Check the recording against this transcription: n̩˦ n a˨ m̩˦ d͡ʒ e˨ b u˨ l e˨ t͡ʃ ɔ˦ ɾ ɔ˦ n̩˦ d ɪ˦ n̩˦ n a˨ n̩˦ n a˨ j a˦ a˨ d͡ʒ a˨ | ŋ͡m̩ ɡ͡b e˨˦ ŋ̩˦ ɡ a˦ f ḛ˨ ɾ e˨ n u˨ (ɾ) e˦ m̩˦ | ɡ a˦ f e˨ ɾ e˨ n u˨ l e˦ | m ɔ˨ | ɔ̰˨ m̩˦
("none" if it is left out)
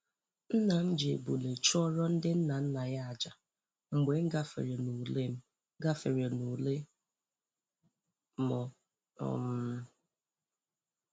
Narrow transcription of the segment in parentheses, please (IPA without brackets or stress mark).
l